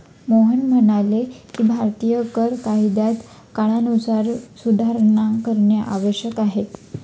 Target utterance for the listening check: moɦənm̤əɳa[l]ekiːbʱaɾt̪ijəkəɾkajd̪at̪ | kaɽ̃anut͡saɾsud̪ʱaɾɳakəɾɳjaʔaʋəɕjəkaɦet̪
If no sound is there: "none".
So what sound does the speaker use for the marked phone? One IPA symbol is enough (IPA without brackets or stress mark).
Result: l